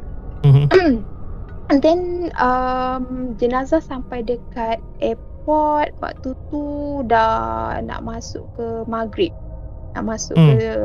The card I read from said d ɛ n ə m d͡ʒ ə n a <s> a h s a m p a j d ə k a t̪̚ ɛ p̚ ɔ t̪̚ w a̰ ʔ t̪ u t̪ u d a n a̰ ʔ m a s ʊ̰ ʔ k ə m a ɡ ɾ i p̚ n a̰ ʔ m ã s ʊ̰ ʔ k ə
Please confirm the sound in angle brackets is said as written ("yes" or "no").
no